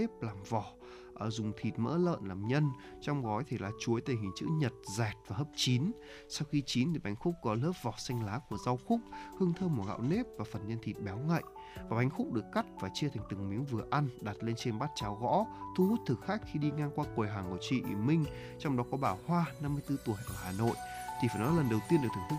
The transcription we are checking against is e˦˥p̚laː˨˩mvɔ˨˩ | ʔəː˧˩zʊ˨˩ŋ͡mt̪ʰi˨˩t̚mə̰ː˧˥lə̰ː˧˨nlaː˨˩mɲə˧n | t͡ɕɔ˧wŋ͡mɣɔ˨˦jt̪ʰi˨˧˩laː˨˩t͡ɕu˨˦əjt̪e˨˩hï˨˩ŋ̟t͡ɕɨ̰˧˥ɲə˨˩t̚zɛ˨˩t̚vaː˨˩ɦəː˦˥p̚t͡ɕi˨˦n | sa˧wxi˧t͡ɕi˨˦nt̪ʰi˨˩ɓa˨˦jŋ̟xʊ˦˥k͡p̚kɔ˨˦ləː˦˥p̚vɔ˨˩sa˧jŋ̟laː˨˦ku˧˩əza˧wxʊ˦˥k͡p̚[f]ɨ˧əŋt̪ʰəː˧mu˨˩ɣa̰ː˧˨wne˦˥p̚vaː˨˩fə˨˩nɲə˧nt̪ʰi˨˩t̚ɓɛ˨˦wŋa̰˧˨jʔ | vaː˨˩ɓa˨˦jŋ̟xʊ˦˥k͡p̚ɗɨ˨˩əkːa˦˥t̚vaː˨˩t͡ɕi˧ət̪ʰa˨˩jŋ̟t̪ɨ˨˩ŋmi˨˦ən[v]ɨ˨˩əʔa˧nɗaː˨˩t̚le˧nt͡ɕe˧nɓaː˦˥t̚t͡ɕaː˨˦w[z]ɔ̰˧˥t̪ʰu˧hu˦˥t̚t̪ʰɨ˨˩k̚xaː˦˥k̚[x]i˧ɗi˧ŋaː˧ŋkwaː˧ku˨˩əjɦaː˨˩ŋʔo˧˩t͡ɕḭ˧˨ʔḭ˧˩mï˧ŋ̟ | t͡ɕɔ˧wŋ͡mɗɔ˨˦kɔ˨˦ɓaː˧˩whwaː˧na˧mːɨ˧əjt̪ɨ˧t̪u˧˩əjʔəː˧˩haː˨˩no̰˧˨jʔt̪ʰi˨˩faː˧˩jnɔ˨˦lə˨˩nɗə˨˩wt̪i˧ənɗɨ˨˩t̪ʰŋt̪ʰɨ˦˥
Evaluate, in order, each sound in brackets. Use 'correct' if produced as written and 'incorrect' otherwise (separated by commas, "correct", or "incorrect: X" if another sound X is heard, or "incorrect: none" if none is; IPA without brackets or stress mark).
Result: incorrect: h, correct, incorrect: ɣ, correct